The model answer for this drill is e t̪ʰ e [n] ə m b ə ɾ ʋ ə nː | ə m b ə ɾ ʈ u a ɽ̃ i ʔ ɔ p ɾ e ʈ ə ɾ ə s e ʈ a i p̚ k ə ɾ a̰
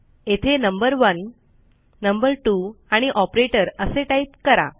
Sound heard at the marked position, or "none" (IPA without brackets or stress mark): n